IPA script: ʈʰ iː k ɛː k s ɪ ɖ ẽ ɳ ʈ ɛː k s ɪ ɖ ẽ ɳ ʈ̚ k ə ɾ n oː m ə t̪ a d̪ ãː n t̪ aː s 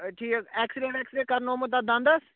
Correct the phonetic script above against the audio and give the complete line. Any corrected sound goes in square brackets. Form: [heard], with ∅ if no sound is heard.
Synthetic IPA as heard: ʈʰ iː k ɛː k s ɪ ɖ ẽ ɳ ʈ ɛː k s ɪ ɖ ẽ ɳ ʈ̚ k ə ɾ n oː m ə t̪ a d̪ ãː n [d̪] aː s